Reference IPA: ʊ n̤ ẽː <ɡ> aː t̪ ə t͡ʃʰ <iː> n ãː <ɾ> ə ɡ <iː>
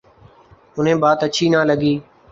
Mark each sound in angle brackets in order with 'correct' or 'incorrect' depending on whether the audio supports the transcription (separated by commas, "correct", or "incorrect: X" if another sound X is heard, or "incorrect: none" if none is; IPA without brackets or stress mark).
incorrect: b, correct, incorrect: l, correct